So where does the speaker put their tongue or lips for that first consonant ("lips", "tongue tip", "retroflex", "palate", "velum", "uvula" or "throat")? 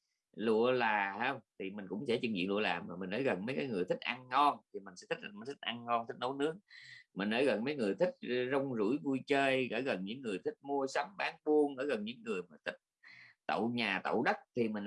tongue tip